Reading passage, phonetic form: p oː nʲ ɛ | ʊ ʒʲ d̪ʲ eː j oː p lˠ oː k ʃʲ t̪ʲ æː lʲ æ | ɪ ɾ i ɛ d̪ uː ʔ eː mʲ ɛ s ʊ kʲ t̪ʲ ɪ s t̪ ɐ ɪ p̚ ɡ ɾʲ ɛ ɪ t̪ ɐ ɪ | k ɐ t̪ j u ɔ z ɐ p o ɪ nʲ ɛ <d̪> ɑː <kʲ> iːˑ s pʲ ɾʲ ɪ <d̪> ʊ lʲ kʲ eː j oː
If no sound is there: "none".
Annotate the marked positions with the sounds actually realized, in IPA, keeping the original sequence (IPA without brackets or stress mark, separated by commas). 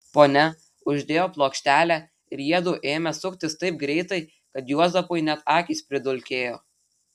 t̪, kʲ, d̪